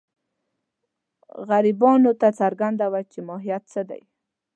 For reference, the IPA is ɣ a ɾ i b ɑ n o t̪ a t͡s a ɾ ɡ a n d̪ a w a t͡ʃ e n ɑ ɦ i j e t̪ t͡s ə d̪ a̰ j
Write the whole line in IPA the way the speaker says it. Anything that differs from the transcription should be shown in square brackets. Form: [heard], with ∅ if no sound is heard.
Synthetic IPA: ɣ a ɾ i b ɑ n o t̪ a t͡s a ɾ ɡ a n d̪ a w a t͡ʃ e [m] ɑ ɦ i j [a] t̪ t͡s ə d̪ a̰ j